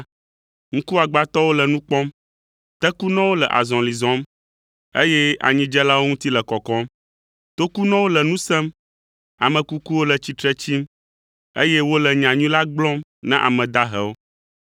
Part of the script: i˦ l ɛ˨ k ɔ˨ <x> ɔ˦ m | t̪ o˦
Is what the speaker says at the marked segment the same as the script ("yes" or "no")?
no